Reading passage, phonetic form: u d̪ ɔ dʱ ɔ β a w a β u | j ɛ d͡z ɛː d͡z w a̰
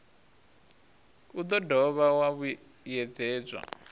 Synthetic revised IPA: u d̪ ɔ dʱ ɔ β a w a β u | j ɛ d͡z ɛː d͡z w a̰